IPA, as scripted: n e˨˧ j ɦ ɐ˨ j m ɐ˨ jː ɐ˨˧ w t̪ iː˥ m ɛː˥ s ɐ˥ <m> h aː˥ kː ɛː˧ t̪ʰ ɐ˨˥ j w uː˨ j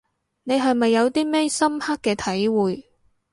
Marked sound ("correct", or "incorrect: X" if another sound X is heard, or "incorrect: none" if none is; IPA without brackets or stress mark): correct